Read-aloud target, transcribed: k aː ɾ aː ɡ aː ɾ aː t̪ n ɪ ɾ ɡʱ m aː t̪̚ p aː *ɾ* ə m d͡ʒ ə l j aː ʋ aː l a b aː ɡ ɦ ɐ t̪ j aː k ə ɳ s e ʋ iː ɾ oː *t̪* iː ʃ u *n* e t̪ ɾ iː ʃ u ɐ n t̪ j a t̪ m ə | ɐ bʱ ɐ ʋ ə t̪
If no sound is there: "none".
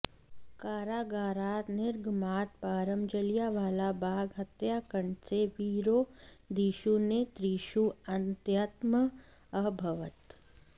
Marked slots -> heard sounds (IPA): ɾ, d̪, n

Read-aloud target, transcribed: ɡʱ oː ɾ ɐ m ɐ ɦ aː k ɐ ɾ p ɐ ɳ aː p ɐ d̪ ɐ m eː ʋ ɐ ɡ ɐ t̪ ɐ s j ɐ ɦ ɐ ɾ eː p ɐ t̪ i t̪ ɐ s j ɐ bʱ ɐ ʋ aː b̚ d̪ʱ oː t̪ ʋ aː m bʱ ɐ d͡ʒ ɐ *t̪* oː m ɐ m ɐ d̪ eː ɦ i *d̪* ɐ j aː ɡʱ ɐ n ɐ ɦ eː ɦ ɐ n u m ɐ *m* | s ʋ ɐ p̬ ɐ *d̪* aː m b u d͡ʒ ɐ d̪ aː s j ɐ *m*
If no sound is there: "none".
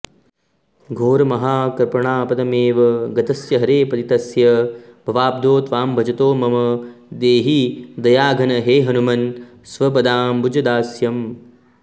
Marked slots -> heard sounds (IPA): t̪, d̪, n, d̪, m

